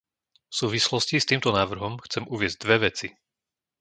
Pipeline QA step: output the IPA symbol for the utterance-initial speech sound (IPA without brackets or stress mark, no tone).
f